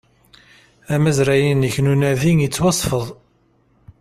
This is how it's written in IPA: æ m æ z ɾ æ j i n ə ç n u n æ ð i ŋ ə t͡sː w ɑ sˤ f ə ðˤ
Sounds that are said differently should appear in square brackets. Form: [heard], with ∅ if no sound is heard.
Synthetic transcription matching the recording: æ m æ z ɾ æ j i n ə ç n u n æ ð i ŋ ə t͡sː w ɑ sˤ f ə ðˤ